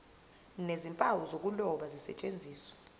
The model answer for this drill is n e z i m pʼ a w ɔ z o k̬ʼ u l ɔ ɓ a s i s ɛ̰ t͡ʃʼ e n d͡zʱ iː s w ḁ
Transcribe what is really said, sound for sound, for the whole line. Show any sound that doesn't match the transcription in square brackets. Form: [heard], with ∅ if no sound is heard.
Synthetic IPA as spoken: n e z i m pʼ a w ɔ z o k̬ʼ u l ɔ ɓ a [z] i s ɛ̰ t͡ʃʼ e n d͡zʱ iː s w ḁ